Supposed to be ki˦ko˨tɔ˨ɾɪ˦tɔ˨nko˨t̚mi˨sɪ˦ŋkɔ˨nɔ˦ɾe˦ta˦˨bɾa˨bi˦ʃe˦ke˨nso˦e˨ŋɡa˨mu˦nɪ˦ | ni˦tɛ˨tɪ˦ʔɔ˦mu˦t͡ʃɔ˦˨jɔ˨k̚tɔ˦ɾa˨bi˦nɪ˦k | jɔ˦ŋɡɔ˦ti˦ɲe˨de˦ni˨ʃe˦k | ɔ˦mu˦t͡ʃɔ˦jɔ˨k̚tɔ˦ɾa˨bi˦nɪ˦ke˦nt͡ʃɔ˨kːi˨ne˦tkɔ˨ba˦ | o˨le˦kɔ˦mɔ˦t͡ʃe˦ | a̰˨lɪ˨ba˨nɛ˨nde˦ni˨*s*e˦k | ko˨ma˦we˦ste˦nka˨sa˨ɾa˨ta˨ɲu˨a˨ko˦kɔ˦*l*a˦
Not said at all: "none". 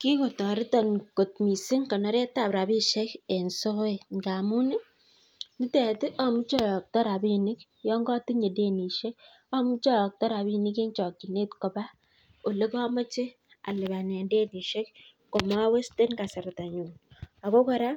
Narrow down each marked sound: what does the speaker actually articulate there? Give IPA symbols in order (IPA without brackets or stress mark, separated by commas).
ʃ, ɾ